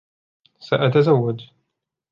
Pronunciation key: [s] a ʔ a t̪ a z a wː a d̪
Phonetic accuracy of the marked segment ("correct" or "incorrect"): correct